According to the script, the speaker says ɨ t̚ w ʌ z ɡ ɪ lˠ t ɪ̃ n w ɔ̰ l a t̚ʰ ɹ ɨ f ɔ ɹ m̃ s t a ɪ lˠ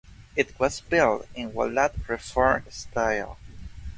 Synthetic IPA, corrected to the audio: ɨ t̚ w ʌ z b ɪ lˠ t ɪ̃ n w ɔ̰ l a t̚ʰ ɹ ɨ f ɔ ɹ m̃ s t a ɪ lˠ